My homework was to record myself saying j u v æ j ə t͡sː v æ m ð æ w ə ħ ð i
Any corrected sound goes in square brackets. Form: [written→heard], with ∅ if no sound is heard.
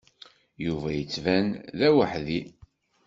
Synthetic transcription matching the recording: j u v æ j ə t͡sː v æ [m→n] ð æ w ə ħ ð i